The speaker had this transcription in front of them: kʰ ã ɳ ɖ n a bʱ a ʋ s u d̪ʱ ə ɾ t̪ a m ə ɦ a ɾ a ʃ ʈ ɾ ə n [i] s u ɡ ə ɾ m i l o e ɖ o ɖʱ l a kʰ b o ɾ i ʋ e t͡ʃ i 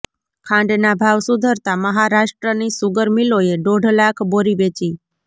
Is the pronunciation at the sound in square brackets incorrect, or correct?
correct